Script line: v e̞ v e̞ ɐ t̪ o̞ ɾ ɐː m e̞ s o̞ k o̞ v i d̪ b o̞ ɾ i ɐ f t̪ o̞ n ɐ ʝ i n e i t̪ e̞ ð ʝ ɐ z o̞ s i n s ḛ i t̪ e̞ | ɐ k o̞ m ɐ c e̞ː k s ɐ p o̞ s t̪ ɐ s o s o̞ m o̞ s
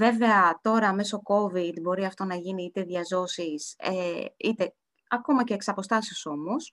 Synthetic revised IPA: v e̞ v e̞ ɐ t̪ o̞ ɾ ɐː m e̞ s o̞ k o̞ v i d̪ b o̞ ɾ i ɐ f t̪ o̞ n ɐ ʝ i n i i t̪ e̞ ð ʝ ɐ z o̞ s i s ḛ i t̪ e̞ | ɐ k o̞ m ɐ c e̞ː k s ɐ p o̞ s t̪ ɐ s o s o̞ m o̞ s